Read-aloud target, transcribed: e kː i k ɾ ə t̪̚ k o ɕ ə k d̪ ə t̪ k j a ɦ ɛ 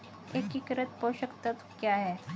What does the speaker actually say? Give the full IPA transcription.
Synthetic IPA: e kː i k ɾ ə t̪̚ p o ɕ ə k t̪ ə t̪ k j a ɦ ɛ